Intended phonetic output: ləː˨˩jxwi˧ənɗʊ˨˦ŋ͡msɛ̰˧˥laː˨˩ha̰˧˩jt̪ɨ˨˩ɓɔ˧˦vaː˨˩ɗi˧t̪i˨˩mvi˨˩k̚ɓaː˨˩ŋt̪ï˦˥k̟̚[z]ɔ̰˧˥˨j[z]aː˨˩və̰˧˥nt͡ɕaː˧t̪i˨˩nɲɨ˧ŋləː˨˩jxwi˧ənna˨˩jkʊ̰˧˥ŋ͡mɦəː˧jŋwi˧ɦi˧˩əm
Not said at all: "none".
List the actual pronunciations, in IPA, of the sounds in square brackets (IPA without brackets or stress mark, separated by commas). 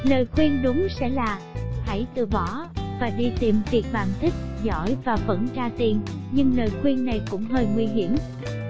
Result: z, v